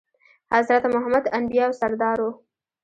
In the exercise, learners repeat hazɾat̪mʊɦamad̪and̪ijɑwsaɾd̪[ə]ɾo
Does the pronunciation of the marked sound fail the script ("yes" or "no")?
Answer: yes